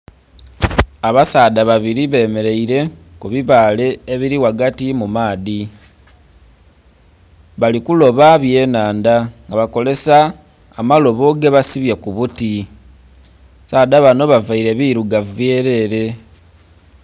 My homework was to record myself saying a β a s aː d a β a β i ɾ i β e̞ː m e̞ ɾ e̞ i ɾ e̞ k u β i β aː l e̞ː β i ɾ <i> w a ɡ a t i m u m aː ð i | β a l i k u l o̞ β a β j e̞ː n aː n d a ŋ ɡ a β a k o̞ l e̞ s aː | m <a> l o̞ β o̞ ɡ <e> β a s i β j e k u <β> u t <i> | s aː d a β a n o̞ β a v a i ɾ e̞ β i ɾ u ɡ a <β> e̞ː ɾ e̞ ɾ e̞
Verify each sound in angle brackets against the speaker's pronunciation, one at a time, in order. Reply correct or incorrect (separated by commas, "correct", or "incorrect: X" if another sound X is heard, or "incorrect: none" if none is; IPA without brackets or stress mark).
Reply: correct, correct, correct, correct, correct, incorrect: v